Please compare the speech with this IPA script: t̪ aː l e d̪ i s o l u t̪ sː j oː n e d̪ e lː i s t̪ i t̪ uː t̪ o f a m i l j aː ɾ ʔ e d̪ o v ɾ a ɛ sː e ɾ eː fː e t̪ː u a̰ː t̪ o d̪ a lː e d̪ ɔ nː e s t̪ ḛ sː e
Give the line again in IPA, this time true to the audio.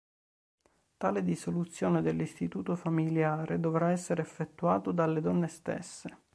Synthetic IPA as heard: t̪ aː l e d̪ i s o l u t̪ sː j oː n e d̪ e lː i s t̪ i t̪ uː t̪ o f a m i l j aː ɾ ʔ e d̪ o v ɾ a ɛ sː e ɾ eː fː e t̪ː u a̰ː t̪ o d̪ a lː e d̪ ɔ nː e s t̪ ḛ sː e